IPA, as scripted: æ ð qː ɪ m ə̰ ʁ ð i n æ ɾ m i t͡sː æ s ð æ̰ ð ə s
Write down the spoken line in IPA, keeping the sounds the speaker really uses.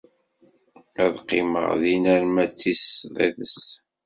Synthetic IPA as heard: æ ð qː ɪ m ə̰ ʁ ð i n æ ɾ m æ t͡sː i s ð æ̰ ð ə s